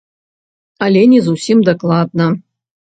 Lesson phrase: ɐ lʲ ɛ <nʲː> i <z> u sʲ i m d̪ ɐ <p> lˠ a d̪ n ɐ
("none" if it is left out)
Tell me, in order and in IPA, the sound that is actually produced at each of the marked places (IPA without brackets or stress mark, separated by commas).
nʲ, z, k